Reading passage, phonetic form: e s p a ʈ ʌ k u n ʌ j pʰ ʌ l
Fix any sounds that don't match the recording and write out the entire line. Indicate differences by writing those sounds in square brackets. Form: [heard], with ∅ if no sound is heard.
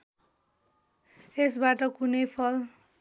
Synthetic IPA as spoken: e s [b] a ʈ ʌ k u n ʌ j pʰ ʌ l